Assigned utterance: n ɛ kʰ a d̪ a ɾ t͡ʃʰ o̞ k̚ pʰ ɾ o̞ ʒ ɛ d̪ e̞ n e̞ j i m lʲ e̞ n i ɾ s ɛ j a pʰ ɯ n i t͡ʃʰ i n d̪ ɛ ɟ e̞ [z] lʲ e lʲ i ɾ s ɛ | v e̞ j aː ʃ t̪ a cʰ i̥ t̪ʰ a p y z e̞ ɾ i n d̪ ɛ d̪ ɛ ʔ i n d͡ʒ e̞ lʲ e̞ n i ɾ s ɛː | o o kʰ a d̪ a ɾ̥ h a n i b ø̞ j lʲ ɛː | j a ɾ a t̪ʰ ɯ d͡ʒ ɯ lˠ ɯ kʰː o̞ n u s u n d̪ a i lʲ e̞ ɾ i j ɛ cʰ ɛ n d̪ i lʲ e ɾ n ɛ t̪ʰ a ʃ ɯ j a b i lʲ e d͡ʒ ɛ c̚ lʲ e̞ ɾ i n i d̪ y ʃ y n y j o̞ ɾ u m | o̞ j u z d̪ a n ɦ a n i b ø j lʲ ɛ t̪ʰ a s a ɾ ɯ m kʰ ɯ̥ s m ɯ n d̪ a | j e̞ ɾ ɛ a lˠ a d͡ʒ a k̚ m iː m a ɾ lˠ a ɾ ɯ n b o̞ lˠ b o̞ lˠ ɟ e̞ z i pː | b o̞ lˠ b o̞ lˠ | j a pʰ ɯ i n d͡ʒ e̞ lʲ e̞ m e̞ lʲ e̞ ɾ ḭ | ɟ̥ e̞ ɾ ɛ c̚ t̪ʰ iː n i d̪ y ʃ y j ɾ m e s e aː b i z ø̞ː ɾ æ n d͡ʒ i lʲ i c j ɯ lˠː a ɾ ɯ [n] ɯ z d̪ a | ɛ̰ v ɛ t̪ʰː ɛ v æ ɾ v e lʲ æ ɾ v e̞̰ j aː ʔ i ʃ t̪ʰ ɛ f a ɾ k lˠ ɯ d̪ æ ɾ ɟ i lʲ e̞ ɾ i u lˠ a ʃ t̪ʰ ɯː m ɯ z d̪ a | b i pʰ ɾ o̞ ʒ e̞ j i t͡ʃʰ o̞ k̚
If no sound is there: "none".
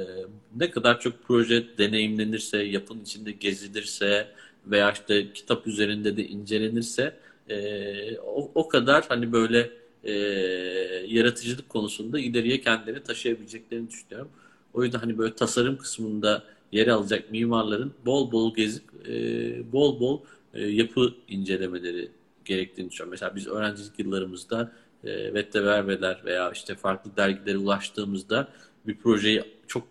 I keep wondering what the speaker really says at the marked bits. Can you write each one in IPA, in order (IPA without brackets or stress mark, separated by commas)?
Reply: z, m